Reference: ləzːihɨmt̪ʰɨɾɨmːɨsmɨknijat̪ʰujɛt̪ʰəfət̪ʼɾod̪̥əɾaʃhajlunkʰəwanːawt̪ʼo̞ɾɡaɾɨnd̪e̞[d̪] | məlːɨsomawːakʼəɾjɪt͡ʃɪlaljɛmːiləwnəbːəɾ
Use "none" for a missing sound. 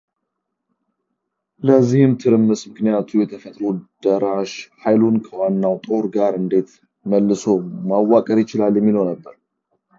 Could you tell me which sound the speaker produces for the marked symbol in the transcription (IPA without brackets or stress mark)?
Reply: t̪